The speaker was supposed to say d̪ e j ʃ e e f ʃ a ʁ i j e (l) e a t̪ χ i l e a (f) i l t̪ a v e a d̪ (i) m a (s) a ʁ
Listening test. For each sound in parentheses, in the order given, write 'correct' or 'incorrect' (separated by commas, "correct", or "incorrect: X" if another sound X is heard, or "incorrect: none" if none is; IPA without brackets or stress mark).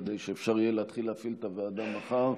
correct, correct, incorrect: a, incorrect: χ